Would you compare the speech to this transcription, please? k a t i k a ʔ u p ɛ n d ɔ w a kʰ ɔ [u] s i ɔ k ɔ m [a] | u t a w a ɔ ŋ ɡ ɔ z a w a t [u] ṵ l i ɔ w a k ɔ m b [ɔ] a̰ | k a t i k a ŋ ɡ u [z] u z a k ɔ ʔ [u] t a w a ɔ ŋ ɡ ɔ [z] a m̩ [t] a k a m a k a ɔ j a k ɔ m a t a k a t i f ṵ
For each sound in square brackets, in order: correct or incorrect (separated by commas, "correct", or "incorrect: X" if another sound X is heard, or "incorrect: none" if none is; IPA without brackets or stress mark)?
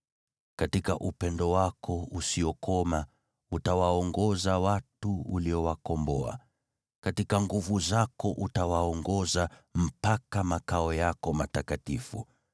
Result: correct, correct, correct, correct, incorrect: v, correct, correct, incorrect: p